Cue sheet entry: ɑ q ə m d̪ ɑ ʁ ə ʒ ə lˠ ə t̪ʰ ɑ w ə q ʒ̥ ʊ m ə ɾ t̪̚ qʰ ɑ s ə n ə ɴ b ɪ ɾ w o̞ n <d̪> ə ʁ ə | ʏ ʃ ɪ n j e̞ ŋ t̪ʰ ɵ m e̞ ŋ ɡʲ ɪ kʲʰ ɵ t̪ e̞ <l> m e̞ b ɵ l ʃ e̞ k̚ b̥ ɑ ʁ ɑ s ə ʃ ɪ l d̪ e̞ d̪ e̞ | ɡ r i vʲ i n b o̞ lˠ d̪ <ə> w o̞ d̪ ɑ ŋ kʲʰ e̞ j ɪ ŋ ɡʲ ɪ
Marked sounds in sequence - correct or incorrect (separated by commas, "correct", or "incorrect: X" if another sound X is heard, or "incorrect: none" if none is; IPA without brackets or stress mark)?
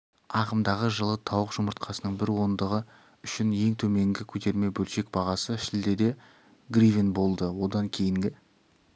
correct, incorrect: ɾ, correct